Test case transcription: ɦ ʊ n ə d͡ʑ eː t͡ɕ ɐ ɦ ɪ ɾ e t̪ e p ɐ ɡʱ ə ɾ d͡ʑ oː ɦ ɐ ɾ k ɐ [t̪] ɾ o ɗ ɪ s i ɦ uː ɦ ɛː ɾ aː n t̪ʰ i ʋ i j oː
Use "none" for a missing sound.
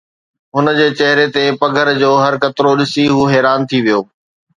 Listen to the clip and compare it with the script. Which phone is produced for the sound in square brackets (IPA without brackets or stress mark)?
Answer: t̪